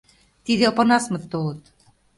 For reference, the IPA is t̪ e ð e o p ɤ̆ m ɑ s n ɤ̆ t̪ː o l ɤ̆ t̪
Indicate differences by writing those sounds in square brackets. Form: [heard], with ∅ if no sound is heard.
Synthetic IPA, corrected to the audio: t̪ [i] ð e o p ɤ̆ [n] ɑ s [m] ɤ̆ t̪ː o l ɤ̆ t̪